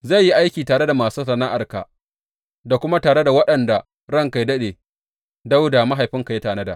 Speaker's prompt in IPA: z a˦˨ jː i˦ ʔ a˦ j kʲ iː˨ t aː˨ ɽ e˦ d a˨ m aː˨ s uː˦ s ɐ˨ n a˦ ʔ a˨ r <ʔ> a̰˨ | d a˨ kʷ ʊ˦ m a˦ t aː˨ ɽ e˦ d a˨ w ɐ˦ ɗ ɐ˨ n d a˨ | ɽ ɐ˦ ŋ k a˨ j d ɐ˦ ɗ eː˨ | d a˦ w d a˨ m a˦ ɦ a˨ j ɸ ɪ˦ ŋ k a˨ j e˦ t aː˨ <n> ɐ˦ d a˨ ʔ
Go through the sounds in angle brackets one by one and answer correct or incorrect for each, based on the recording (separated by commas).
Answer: incorrect, correct